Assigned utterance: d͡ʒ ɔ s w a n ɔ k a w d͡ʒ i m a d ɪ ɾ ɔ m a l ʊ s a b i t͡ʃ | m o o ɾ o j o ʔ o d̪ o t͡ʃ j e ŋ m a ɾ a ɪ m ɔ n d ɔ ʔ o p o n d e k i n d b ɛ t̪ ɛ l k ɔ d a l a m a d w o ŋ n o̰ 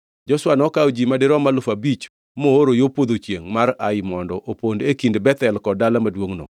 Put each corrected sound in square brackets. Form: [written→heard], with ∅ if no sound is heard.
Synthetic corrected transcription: d͡ʒ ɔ s w a n ɔ k a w d͡ʒ i m a d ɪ ɾ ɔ m a l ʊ [s→f] a b i t͡ʃ | m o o ɾ o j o [ʔ→p] o d̪ o t͡ʃ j e ŋ m a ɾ a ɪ m ɔ n d ɔ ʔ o p o n d e k i n d b ɛ t̪ ɛ l k ɔ d a l a m a d w o ŋ n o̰